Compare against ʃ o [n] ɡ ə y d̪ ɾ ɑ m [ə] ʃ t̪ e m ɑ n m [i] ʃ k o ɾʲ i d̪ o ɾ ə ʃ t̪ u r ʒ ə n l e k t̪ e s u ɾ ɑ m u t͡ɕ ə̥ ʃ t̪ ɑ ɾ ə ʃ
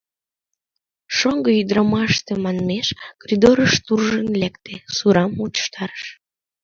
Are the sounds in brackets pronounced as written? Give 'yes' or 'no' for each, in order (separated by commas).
no, no, no